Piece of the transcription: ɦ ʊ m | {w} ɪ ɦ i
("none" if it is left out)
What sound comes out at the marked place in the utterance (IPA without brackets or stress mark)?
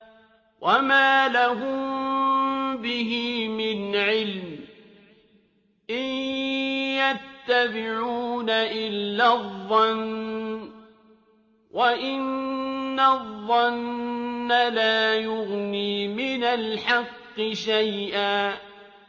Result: b